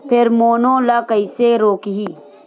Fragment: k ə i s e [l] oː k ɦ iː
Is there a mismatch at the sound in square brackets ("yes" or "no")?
yes